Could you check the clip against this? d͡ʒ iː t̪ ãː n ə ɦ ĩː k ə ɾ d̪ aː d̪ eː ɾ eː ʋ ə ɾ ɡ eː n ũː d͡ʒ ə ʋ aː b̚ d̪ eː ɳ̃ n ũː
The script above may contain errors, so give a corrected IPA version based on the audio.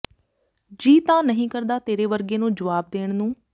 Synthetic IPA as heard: d͡ʒ iː t̪ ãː n ə ɦ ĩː k ə ɾ d̪ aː t̪ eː ɾ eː ʋ ə ɾ ɡ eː n ũː d͡ʒ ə ʋ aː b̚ d̪ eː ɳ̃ n ũː